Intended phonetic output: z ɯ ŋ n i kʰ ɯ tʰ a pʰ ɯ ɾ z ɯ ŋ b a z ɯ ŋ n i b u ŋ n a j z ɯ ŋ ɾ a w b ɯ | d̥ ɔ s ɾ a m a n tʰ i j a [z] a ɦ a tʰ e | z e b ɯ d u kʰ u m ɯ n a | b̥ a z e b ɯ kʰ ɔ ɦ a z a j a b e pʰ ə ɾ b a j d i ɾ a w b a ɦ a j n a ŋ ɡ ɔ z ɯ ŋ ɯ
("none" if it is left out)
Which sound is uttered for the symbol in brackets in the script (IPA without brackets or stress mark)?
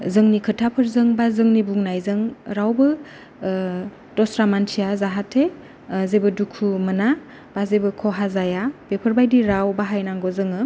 z